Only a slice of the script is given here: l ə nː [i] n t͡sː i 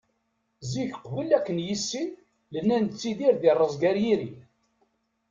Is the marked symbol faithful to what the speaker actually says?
no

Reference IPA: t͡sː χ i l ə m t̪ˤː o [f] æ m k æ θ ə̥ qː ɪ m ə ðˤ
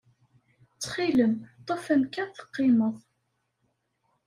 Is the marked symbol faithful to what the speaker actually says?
yes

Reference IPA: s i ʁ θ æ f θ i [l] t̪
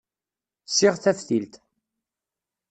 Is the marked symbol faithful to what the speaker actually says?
yes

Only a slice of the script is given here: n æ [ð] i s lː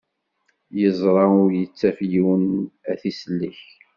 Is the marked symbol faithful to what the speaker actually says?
no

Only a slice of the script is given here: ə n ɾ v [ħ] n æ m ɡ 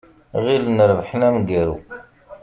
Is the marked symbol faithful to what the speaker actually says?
yes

